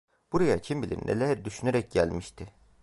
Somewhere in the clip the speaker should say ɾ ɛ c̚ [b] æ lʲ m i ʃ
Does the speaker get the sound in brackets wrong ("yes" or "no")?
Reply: yes